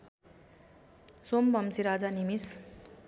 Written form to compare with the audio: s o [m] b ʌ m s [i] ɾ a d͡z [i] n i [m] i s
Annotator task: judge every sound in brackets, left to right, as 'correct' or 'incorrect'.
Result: correct, correct, incorrect: a, correct

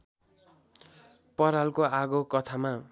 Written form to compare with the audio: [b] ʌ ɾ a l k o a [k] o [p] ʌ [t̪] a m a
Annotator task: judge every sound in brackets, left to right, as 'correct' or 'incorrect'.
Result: incorrect: p, incorrect: ɡ, incorrect: k, incorrect: t̪ʰ

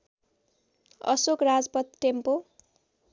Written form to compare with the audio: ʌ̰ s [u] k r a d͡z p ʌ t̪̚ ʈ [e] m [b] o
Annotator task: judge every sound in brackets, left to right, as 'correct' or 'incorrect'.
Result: incorrect: o, correct, incorrect: p

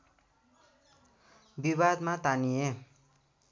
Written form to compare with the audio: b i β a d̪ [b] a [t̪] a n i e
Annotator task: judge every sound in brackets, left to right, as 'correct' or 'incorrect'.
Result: incorrect: m, correct

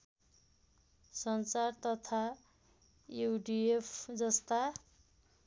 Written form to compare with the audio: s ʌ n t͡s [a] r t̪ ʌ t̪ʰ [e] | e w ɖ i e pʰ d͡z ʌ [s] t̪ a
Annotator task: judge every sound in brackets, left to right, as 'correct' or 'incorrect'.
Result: correct, incorrect: a, correct

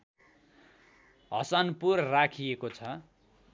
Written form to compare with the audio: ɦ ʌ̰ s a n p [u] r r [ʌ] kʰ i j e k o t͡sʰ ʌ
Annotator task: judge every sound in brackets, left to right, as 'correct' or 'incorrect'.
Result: correct, incorrect: a

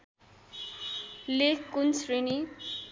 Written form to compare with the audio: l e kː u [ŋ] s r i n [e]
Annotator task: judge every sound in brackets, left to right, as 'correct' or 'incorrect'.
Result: incorrect: n, incorrect: i

